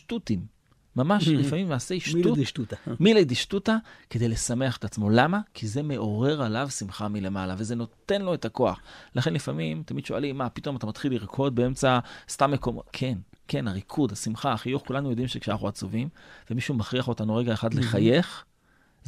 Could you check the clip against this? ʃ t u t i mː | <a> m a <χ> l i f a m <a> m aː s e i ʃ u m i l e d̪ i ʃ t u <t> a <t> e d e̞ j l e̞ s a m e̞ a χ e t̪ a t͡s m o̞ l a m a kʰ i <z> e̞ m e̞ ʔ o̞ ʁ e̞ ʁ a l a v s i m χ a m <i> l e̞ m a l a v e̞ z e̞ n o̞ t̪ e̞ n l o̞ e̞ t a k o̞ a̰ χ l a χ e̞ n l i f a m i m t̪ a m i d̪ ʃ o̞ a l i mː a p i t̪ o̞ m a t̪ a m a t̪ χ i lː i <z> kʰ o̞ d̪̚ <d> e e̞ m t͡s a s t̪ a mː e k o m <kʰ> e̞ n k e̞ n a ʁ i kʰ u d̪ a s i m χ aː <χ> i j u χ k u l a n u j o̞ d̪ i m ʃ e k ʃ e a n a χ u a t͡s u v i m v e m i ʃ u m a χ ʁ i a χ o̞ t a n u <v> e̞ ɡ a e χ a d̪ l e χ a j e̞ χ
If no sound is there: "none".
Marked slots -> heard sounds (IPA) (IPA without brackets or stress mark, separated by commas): a, ʃ, i, t, k, z, i, ʁ, b, kʰ, χ, ʁ